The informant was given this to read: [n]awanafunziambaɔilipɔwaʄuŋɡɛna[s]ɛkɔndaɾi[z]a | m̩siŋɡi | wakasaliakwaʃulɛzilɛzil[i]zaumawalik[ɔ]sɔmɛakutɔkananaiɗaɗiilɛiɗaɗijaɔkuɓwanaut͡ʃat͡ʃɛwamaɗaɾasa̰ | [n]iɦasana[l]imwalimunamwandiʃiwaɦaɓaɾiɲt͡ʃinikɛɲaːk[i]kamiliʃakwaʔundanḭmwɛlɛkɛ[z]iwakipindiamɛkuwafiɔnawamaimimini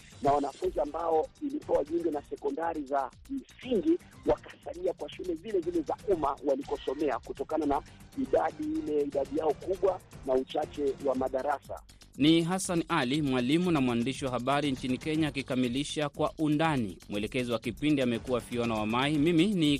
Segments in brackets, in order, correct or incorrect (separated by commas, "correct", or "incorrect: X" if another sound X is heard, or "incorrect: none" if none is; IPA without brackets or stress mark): correct, correct, correct, incorrect: ɛ, correct, correct, correct, correct, correct